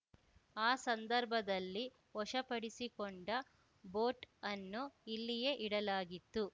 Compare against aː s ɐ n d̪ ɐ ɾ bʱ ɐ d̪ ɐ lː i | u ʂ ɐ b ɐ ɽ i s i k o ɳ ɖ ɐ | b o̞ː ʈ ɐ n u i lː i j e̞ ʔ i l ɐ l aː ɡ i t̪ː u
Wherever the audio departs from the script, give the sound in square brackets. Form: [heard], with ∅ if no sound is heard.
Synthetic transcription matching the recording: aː s ɐ n d̪ ɐ ɾ bʱ ɐ d̪ ɐ lː i | [ɔ] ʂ ɐ [p] ɐ ɽ i s i k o ɳ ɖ ɐ | b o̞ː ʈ ɐ [nː] u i lː i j e̞ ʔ i [ɽ] ɐ l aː ɡ i t̪ː u